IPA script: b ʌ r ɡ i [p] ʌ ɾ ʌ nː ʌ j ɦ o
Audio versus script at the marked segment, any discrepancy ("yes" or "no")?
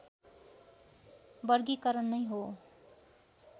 yes